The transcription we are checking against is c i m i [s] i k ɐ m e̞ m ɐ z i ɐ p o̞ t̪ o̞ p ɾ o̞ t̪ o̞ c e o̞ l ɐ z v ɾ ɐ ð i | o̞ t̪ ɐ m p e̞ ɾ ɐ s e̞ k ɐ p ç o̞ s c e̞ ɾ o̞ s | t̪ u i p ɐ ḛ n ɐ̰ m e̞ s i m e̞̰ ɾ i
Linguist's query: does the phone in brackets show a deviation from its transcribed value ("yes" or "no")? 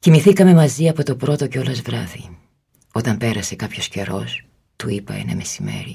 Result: yes